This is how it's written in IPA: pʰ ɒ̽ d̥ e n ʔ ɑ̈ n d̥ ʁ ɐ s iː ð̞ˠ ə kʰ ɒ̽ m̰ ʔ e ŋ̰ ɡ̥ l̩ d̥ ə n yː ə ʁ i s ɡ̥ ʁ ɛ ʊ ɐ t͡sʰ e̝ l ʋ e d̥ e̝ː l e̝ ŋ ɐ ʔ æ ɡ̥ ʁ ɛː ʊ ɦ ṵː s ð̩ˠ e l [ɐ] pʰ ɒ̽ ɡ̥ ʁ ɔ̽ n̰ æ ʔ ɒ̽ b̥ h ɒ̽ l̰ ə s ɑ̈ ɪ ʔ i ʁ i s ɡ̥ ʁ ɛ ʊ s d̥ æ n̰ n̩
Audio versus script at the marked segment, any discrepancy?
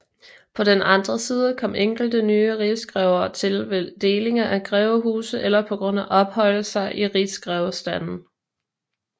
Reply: no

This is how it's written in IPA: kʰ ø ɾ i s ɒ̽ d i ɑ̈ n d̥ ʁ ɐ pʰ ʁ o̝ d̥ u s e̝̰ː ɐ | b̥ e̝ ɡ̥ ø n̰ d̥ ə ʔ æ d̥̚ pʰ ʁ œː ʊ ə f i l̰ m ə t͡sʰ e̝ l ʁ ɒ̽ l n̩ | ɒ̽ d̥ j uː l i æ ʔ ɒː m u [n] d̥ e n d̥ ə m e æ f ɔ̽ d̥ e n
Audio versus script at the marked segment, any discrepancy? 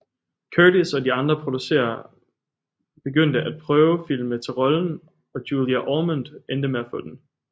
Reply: no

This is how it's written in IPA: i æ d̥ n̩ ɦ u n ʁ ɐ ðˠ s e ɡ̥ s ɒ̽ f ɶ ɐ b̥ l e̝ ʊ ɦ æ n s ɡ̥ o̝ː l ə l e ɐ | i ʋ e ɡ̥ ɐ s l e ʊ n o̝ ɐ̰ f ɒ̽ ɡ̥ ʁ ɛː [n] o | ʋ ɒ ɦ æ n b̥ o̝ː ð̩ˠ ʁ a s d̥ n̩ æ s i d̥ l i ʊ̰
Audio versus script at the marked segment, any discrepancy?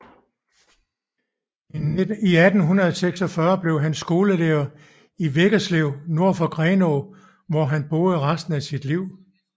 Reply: no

